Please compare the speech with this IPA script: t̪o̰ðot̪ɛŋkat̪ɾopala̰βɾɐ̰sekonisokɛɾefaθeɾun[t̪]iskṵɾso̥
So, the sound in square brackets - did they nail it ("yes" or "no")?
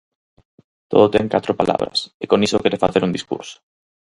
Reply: no